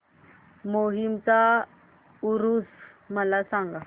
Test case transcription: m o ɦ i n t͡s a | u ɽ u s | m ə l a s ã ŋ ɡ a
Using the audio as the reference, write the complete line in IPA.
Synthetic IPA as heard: m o ɦ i m t͡s a | u ɾ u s | m ə l a s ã ŋ ɡ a

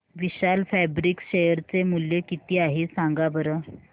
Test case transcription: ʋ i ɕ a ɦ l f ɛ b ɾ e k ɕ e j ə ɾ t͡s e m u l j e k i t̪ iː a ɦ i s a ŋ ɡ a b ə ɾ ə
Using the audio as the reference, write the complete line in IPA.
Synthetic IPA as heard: ʋ i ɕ a l f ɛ b ɾ i k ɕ e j ə ɾ t͡s e m u l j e k i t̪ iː a ɦ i s a ŋ ɡ a b ə ɾ ə

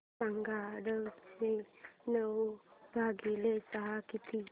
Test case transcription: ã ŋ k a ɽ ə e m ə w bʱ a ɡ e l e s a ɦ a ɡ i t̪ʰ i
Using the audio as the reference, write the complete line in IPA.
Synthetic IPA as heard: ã ŋ ɡ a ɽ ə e n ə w bʱ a ɡ i l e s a ɦ a k i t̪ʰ i

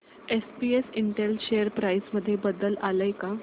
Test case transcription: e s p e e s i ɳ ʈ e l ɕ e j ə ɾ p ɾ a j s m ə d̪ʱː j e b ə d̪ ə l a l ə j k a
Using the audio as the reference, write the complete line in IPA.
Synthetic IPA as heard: e s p i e s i ɳ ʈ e l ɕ e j ə ɾ p ɾ a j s m ə d̪ʱː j e b ə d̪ ə l a l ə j k a

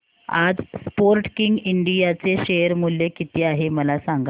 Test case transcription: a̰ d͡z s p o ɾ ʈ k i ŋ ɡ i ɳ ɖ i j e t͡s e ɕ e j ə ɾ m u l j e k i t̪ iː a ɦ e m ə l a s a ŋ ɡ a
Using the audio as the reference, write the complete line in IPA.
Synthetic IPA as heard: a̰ d͡z s p o ɾ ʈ k i ŋ ɡ i ɳ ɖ i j a t͡s e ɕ e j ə ɾ m u l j e k i t̪ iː a ɦ e m ə l a s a ŋ ɡ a

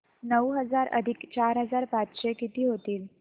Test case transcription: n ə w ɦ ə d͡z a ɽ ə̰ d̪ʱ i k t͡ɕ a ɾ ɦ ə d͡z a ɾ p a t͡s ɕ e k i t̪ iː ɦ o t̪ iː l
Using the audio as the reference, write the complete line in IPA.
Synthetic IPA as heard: n ə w ɦ ə d͡z a ɾ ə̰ d̪ʱ i k t͡ɕ a ɾ ɦ ə d͡z a ɾ p a t͡s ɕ e k i t̪ iː ɦ o t̪ iː l

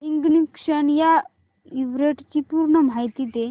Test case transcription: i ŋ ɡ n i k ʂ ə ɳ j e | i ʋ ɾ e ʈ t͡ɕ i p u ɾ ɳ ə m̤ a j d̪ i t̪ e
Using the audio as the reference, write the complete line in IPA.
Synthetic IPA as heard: i ŋ ɡ n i k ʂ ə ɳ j a | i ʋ ɾ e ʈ t͡ɕ i p u ɾ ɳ ə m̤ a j t̪ i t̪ e

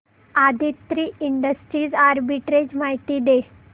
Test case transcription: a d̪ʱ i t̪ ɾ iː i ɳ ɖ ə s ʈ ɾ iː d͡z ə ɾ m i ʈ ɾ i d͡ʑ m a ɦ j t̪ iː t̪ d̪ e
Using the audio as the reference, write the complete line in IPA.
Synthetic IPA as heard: a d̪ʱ i t̪ ɾ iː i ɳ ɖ ə s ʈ ɾ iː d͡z a ɾ b i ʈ ɾ e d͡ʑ m a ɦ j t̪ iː d̪ e

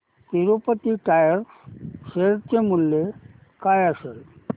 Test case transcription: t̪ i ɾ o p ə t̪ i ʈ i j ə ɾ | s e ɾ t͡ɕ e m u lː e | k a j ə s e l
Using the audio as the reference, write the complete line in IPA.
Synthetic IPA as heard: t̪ i ɾ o p ə t̪ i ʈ a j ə ɾ | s e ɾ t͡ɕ e m u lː e | k a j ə s e l

